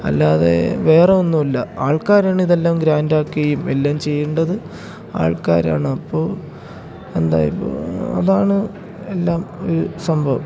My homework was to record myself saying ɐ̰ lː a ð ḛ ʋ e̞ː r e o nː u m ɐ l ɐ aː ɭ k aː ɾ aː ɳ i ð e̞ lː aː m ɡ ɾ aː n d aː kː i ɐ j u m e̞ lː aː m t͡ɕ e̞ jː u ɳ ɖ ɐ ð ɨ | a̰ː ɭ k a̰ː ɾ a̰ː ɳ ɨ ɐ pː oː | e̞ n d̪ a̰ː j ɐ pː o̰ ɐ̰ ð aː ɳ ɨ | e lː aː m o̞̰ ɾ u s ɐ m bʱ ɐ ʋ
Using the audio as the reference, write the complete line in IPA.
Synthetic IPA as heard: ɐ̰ lː a ð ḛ ʋ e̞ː r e o nː u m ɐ lː ɐ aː ɭ k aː ɾ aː ɳ i ð e̞ lː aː m ɡ ɾ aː n d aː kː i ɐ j u m e̞ lː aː m t͡ɕ e̞ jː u ɳ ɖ ɐ ð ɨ | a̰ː ɭ k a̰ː ɾ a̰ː ɳ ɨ ɐ pː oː | e̞ n d̪ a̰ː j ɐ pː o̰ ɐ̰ ð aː ɳ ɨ | e lː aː m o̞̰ ɾ u s ɐ m bʱ ɐ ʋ